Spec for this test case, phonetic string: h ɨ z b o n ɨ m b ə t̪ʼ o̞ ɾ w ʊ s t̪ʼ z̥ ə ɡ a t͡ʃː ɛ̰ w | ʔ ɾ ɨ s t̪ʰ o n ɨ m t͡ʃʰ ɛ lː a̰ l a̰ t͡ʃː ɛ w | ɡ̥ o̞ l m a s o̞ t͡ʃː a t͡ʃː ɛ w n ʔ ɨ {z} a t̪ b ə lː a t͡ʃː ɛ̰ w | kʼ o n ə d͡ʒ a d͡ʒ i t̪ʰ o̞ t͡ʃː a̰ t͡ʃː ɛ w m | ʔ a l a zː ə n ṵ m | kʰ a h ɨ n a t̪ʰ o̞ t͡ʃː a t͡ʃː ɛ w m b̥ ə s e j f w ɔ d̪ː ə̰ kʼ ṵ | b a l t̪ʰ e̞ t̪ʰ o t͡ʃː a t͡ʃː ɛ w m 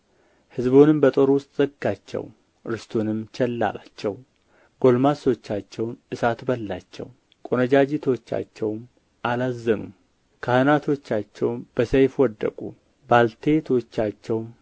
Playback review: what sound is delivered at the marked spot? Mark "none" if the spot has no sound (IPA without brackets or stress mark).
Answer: s